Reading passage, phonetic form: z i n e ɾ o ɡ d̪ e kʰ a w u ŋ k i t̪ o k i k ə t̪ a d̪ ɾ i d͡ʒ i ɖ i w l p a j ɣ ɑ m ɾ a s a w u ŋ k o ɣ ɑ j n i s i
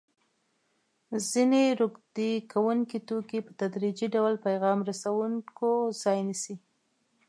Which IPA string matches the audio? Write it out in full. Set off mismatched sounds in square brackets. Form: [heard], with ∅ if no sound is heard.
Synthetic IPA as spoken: z i n e ɾ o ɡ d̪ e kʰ a w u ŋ k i t̪ o k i [p] ə t̪ a d̪ ɾ i d͡ʒ i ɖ [a] w l p a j ɣ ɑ m ɾ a s a w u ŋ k o [z] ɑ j n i s i